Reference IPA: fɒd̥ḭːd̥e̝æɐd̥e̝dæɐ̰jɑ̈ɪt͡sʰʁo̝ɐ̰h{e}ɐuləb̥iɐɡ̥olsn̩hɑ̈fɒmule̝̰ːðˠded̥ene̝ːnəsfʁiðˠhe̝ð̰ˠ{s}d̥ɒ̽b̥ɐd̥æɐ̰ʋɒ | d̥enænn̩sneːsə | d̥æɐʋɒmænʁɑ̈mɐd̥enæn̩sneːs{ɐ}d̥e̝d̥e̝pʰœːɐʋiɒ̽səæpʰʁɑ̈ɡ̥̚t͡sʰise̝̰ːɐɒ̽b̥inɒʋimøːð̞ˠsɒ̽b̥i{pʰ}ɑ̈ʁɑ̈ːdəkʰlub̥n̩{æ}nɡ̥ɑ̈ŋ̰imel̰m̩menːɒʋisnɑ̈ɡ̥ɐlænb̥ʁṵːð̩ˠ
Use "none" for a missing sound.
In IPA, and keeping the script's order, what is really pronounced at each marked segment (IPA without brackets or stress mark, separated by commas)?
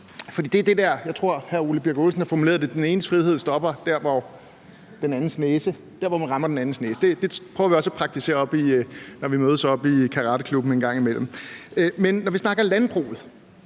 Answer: æ, s, ə, kʰ, e